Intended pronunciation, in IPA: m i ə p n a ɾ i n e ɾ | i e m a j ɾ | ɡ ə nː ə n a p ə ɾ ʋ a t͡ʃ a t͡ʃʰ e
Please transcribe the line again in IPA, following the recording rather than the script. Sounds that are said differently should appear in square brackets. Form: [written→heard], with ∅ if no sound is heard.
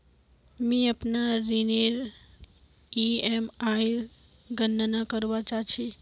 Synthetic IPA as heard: m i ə p n a ɾ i n e ɾ | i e m a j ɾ | ɡ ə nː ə n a [p→k] ə ɾ ʋ a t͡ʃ a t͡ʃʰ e